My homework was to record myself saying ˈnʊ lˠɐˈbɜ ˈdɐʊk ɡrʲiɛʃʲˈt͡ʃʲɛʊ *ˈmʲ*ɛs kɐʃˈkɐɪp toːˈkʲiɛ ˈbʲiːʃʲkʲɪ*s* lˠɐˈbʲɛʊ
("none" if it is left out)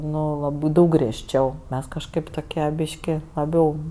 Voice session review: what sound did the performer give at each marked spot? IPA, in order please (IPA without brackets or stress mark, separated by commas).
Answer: mʲ, none